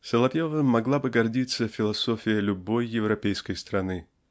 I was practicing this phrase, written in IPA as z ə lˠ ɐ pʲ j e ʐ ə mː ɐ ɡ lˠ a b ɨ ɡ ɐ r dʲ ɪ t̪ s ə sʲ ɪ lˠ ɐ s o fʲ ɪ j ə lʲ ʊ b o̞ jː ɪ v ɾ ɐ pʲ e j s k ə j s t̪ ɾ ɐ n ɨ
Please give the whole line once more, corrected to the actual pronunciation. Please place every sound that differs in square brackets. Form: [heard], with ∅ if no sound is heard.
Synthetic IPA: [s] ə lˠ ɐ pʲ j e [v] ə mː ɐ ɡ lˠ a b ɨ ɡ ɐ r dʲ [i] t̪ s ə [fʲ] ɪ lˠ ɐ s o fʲ ɪ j ə lʲ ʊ b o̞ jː ɪ v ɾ ɐ pʲ e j s k ə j s t̪ ɾ ɐ n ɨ